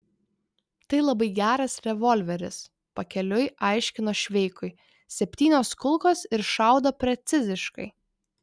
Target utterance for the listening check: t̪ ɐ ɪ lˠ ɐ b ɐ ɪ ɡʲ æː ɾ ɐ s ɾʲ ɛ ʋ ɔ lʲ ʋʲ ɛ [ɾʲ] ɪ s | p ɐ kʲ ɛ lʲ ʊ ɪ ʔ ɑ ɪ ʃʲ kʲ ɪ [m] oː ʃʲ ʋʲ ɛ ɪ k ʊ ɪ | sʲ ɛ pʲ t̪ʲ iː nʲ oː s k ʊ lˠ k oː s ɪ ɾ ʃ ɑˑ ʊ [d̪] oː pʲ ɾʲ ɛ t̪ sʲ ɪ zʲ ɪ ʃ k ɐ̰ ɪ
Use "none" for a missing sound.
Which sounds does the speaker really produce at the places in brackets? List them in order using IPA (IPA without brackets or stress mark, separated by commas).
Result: ɾʲ, n, d̪